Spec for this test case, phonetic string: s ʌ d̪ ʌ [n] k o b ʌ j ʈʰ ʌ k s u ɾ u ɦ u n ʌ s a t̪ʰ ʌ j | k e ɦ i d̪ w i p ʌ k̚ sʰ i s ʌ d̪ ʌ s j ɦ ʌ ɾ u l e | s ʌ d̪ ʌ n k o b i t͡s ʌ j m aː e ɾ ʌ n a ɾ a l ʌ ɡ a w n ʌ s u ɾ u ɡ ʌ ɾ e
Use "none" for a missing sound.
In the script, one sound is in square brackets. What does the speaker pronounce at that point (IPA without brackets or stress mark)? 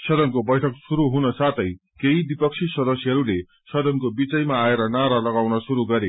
n